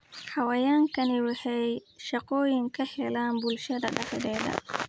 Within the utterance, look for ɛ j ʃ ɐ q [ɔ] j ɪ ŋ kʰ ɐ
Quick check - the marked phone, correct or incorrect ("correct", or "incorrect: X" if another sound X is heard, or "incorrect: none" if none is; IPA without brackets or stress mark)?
incorrect: ɔː